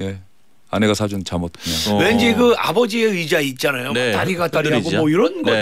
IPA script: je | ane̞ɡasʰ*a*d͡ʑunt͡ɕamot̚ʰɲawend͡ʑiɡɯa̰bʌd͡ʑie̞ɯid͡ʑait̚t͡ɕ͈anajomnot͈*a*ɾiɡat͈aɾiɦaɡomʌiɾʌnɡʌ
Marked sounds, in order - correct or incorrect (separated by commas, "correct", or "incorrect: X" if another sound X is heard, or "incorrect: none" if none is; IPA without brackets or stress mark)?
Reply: correct, correct